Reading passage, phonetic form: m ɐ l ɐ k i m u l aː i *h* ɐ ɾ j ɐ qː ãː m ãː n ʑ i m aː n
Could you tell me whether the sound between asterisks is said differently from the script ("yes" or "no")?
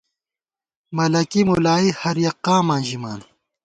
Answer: no